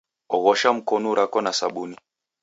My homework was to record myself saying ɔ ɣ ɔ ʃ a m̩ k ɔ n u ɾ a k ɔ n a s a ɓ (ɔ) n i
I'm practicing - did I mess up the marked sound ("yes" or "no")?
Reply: yes